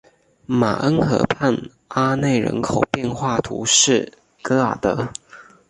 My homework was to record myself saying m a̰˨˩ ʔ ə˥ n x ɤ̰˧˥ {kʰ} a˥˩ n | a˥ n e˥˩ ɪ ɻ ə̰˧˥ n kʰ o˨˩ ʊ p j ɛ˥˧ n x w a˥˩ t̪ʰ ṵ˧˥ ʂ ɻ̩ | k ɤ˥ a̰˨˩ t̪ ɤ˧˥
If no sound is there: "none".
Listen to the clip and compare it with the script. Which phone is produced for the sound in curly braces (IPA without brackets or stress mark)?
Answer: pʰ